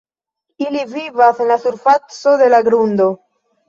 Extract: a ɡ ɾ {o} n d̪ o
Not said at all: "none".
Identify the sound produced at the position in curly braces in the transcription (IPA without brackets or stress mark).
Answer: u